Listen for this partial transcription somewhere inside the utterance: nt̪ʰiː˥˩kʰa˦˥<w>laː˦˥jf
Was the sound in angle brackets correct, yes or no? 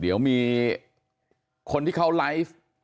yes